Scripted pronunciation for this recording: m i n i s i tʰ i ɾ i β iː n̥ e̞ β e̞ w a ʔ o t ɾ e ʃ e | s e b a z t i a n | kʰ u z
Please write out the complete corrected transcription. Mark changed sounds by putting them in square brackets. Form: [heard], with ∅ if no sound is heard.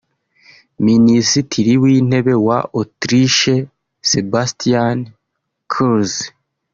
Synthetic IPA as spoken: m i n i s i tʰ i ɾ i [w] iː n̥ e̞ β e̞ w a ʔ o t ɾ [i] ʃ e | s e b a [s] t i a n | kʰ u z